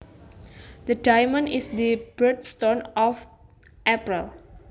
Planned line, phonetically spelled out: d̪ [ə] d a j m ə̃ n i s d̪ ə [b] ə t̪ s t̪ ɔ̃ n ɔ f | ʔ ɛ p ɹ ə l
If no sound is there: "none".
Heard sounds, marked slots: ə, b

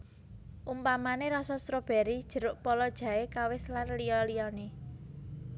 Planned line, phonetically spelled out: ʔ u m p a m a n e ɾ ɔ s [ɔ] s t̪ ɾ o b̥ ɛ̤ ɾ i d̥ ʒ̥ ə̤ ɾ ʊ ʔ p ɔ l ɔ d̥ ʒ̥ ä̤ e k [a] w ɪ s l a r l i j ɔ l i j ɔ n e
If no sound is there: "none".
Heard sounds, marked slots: ɔ, a

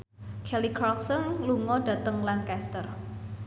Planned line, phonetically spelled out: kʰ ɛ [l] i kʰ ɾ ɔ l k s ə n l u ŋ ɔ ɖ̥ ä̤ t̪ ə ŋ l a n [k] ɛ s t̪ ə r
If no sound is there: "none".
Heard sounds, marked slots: l, k

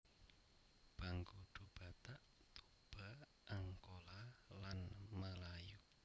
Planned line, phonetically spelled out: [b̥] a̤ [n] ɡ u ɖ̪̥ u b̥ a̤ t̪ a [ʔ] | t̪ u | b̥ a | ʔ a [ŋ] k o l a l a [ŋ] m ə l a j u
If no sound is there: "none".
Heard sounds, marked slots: b̥, ŋ, ʔ, ŋ, n

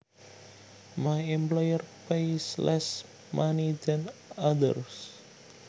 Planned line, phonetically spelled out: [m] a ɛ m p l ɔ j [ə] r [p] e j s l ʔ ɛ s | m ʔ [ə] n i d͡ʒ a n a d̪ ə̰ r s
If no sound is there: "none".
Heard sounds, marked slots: m, ə, p, a

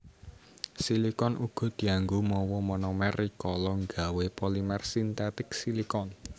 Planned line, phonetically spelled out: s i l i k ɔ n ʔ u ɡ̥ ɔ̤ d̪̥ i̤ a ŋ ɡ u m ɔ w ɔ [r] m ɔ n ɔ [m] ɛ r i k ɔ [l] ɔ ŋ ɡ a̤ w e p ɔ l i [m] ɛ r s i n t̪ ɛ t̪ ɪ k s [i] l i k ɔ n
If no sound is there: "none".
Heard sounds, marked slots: none, m, l, m, i

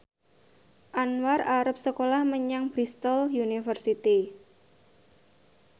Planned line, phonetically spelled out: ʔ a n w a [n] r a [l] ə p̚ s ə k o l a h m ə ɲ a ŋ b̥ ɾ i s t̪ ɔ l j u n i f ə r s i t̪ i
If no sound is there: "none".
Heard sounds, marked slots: none, ɾ

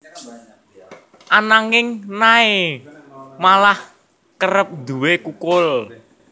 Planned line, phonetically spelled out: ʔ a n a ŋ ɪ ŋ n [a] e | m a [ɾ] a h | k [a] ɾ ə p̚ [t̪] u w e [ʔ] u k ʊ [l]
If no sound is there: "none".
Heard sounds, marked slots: a, l, ə, d̪, k, l

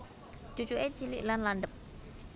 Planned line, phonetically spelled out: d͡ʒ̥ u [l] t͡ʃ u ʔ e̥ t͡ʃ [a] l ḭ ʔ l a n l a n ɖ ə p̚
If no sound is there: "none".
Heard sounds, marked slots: none, i

